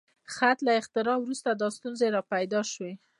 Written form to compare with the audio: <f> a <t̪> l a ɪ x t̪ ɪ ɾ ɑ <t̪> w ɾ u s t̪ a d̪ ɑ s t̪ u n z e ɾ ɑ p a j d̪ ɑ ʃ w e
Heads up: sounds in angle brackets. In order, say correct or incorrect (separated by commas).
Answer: incorrect, correct, incorrect